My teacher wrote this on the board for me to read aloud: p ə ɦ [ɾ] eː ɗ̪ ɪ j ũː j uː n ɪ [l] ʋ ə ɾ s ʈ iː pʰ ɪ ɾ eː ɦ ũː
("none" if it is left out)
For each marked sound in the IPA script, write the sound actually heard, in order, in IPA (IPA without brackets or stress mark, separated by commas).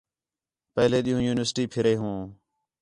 l, none